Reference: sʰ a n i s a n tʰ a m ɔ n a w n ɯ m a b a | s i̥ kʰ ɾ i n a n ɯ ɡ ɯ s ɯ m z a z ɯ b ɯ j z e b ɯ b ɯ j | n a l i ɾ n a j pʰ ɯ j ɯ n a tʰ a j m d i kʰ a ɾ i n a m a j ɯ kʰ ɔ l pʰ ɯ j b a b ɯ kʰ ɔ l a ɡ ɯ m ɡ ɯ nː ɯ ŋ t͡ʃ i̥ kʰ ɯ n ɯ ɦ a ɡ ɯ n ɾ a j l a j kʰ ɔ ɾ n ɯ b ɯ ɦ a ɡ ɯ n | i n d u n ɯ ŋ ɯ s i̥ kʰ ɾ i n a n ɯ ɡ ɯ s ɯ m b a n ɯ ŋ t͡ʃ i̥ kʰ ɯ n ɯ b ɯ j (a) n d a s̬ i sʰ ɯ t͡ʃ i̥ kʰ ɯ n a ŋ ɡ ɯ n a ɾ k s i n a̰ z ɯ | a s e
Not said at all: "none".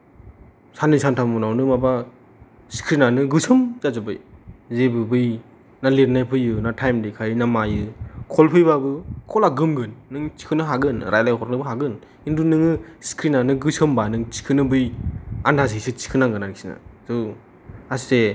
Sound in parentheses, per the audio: a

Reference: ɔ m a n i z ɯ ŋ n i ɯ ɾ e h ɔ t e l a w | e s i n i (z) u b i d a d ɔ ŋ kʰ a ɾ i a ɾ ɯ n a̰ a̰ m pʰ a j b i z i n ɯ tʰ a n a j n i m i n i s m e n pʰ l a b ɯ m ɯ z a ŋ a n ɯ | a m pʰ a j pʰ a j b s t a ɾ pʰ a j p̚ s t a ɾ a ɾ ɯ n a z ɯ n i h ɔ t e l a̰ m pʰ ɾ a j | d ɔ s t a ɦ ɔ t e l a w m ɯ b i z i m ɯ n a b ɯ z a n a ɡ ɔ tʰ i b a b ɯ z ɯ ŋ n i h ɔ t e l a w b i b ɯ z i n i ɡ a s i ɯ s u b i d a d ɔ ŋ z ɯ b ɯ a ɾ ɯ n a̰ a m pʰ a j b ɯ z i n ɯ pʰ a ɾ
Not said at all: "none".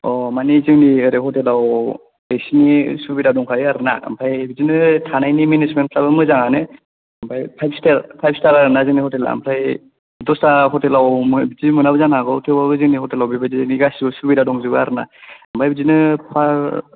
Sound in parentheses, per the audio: s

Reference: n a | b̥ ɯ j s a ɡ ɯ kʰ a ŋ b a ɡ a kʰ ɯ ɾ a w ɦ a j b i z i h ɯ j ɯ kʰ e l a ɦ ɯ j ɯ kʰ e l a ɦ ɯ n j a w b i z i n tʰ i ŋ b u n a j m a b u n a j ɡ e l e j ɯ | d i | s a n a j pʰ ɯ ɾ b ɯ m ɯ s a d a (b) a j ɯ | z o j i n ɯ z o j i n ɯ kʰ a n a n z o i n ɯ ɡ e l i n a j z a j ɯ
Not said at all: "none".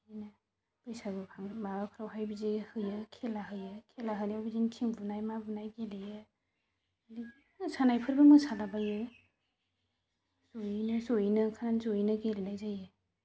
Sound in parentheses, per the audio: b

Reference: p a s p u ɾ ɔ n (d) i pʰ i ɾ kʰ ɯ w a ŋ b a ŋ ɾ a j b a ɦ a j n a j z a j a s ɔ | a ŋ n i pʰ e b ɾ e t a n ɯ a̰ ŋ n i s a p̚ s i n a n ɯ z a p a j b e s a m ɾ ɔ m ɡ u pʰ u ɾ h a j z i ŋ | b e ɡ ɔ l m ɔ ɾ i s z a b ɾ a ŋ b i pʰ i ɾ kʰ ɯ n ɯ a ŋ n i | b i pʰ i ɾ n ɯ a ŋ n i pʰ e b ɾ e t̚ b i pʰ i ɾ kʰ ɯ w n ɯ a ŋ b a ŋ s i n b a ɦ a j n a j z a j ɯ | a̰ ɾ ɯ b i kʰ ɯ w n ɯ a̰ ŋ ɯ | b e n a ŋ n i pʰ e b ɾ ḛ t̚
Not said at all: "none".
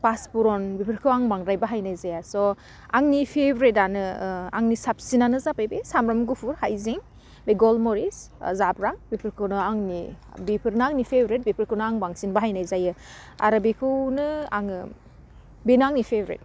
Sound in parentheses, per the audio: b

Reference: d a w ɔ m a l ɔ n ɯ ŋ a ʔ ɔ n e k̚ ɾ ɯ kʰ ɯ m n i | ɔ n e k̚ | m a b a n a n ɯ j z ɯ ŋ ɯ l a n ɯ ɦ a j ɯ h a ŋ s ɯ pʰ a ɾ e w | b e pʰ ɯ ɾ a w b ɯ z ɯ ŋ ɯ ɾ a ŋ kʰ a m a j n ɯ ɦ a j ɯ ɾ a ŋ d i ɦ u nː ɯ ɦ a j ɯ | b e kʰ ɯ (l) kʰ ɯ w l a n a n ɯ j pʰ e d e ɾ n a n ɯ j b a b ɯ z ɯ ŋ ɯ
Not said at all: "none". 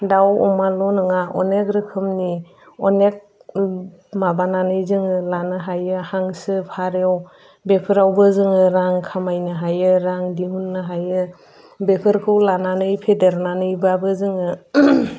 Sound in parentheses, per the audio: ɾ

